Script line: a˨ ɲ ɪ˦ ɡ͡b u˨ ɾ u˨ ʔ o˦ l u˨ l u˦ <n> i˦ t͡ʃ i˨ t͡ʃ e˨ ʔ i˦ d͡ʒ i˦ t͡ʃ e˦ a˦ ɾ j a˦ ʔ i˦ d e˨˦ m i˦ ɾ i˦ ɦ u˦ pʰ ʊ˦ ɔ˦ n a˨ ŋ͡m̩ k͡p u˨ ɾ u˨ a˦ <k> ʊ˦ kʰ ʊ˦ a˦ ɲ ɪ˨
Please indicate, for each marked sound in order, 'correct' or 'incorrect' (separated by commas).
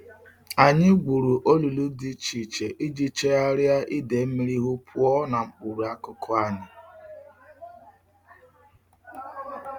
incorrect, correct